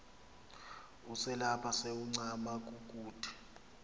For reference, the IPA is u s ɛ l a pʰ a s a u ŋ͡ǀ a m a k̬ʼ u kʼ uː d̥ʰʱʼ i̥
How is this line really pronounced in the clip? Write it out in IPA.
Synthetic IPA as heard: u s ɛ l a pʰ a s e u ŋ͡ǀ a m a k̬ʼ u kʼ uː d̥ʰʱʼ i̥